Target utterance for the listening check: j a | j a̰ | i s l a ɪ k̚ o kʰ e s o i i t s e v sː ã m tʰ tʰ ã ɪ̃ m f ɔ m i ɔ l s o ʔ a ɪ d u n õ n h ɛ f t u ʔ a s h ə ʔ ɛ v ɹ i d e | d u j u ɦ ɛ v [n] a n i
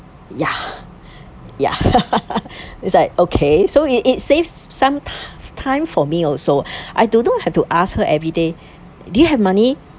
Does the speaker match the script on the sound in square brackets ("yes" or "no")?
no